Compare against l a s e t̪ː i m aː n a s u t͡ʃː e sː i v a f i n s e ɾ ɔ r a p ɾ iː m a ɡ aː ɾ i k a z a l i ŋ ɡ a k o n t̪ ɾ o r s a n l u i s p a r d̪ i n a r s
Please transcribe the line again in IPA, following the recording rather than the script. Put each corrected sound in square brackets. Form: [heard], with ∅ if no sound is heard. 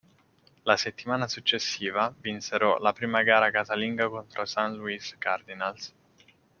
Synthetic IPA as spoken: l a s e t̪ː i m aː n a s u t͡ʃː e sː [iː] v a [v] i n s e ɾ ɔ [l] a p ɾ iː m a ɡ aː ɾ [a] k a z a l i ŋ ɡ a k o n t̪ ɾ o [∅] s a n l u i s [k] a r d̪ i n a [l] s